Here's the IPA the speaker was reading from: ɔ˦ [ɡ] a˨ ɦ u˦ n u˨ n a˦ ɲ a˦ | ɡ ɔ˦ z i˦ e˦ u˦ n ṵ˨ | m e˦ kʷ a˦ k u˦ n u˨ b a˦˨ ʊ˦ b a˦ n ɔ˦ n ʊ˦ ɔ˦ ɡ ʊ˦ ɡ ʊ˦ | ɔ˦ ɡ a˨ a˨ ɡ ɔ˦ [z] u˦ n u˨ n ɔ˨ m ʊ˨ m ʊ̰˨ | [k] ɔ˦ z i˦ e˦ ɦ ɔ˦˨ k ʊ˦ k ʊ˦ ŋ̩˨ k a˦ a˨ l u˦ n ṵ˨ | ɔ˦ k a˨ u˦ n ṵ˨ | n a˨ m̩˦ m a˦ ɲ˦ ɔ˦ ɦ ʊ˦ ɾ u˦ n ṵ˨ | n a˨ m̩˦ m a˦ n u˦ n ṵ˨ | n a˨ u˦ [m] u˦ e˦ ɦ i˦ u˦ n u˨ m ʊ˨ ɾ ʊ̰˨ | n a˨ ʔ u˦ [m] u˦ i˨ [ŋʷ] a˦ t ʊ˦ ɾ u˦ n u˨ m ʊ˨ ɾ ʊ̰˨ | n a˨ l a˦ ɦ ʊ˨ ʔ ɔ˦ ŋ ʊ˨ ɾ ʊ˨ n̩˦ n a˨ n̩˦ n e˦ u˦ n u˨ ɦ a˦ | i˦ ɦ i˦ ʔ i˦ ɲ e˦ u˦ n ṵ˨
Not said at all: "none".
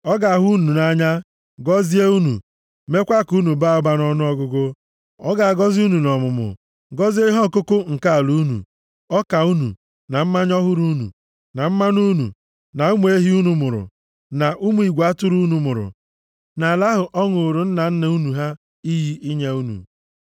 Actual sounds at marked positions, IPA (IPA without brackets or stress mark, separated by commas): ɡ, z, ɡ, m, m, ɡʷ